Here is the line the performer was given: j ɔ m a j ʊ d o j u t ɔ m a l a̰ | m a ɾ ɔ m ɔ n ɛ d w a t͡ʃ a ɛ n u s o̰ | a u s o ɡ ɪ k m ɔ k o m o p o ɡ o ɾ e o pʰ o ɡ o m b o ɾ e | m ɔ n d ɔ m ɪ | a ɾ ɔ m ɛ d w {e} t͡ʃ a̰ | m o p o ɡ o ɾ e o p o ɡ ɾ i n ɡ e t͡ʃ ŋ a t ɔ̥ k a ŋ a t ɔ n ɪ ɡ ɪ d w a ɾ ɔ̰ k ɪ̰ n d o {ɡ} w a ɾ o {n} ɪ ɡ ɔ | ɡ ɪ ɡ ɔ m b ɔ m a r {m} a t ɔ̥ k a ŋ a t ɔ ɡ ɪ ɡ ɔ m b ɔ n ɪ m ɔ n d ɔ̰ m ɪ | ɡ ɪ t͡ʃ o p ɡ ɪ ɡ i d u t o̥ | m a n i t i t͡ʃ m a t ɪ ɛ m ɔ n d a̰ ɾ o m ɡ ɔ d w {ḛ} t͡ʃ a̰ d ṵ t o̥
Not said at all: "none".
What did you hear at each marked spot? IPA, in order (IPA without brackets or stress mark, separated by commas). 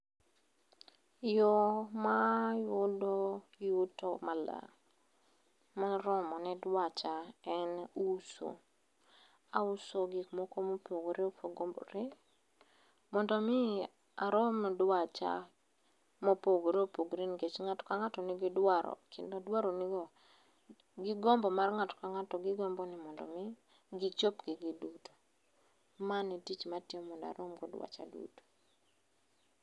a, d, n, ŋ, a̰